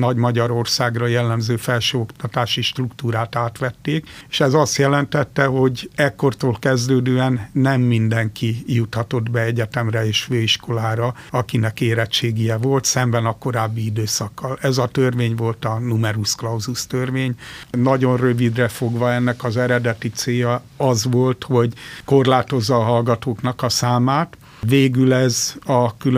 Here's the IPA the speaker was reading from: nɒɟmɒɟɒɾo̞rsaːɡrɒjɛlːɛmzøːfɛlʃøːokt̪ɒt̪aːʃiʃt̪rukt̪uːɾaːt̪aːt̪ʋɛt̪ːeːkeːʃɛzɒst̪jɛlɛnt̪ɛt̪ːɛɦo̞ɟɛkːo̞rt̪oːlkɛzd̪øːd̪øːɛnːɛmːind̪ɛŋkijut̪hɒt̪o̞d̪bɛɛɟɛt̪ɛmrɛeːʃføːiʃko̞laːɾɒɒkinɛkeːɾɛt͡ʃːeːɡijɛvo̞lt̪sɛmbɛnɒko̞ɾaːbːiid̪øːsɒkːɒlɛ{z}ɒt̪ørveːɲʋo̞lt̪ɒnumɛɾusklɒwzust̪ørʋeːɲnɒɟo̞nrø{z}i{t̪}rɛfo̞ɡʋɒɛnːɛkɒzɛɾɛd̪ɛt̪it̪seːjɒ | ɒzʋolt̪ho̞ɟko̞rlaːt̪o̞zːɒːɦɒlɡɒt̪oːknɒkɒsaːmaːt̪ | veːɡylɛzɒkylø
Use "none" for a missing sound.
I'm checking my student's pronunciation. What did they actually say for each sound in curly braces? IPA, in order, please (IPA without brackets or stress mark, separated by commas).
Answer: z, v, d̪